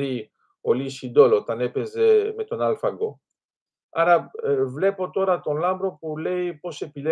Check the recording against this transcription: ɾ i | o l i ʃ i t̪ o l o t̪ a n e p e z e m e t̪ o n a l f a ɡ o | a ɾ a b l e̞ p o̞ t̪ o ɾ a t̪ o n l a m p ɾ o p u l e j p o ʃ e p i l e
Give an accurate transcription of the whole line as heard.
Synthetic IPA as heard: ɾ i | o l i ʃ i d̪ o l o t̪ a n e p e z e m e t̪ o n a l f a ɡ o | a ɾ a v l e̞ p o̞ t̪ o ɾ a t̪ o n l a m b ɾ o p u l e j p o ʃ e p i l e